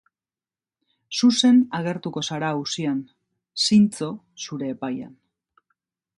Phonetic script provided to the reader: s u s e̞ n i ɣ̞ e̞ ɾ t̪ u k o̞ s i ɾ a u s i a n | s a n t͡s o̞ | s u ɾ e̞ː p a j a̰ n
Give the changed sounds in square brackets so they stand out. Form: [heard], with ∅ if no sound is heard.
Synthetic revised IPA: s u s e̞ n [a] ɣ̞ e̞ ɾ t̪ u k o̞ s [a] ɾ a u s i a n | s [i] n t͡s o̞ | s u ɾ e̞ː p a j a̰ n